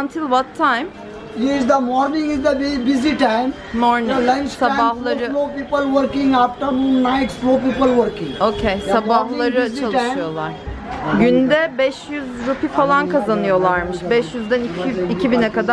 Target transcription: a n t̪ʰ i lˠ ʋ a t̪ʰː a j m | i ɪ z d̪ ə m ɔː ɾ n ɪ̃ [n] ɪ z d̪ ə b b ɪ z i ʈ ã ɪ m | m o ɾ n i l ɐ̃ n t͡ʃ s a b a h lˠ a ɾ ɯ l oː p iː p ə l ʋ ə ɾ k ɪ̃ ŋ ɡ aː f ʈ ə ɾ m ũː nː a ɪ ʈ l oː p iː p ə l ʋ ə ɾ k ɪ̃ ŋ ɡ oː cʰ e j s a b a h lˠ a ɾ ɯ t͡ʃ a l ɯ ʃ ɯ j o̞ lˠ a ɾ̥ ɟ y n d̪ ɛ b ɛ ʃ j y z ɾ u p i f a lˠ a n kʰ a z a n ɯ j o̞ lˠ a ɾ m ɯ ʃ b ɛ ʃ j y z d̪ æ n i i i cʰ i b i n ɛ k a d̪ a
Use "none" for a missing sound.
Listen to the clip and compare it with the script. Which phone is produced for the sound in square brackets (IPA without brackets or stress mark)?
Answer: ŋ